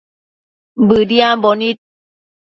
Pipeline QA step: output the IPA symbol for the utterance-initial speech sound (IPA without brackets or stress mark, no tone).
b